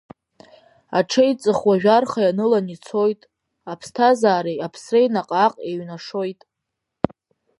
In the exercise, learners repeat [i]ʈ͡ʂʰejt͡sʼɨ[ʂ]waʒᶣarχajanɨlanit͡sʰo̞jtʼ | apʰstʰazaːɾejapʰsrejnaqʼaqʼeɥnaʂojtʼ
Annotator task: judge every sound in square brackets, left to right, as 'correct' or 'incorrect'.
incorrect: a, incorrect: χ

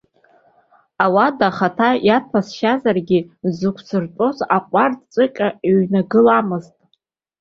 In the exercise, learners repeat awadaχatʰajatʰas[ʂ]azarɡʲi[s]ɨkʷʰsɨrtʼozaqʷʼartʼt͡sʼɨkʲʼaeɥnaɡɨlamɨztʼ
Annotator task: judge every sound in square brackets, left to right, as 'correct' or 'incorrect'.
incorrect: ʃ, incorrect: z

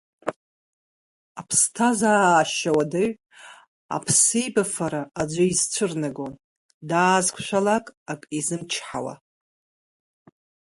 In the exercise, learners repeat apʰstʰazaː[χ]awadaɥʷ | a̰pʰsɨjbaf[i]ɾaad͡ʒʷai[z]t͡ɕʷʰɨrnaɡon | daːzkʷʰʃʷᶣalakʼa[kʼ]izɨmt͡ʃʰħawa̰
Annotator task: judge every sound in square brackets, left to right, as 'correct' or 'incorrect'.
incorrect: ʃ, incorrect: a, correct, correct

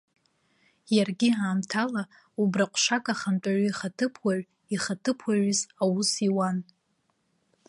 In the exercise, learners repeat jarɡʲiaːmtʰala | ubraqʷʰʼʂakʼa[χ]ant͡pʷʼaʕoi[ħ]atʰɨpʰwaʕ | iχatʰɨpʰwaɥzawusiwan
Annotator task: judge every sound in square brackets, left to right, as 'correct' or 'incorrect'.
correct, incorrect: χ

